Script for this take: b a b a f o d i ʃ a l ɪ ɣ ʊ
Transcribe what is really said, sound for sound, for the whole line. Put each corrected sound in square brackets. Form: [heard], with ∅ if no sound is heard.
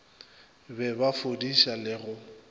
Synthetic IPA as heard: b [ɛ] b a f o d i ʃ a l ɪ ɣ ʊ